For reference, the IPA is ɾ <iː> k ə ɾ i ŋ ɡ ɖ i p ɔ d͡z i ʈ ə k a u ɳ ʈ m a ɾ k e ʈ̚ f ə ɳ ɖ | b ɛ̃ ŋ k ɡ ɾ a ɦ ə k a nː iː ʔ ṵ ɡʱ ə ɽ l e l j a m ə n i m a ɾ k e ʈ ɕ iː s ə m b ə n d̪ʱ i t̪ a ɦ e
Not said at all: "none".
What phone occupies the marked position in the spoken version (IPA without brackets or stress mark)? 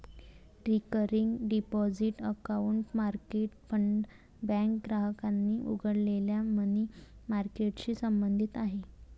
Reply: i